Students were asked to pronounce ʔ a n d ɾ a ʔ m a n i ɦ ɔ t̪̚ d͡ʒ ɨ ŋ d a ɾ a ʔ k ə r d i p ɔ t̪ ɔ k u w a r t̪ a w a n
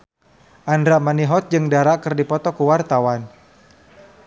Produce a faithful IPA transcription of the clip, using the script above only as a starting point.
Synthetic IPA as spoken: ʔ a n d ɾ a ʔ m a n i ɦ ɔ t̪̚ d͡ʒ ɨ ŋ d a ɾ a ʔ k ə r d i p ɔ t̪ ɔ k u w a r t̪ a w a n